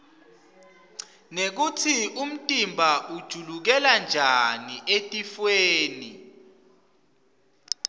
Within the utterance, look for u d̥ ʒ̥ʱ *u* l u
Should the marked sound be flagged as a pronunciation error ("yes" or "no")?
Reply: no